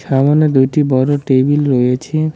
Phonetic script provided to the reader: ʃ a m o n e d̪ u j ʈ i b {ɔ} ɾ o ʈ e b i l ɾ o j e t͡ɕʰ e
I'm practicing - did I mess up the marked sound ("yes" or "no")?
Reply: no